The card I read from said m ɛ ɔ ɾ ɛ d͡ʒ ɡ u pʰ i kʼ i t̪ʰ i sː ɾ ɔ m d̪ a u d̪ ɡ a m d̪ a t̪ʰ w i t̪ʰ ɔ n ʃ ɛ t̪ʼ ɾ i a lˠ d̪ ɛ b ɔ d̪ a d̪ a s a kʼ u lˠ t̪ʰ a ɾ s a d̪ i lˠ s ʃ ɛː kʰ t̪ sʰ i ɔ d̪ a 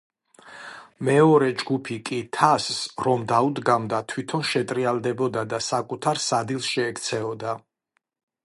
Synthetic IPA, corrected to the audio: m ɛ ɔ ɾ ɛ d͡ʒ ɡ u pʰ i kʼ i t̪ʰ a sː ɾ ɔ m d̪ a u d̪ ɡ a m d̪ a t̪ʰ w i t̪ʰ ɔ n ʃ ɛ t̪ʼ ɾ i a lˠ d̪ ɛ b ɔ d̪ a d̪ a s a kʼ u t̪ʰ a ɾ s a d̪ i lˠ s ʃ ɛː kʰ t̪ sʰ ɛ ɔ d̪ a